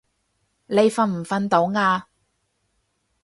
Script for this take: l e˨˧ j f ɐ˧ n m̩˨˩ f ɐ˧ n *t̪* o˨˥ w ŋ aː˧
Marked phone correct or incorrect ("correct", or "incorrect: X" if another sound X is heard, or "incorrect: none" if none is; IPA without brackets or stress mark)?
correct